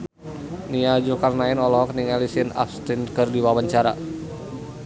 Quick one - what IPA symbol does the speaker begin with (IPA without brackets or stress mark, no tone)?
n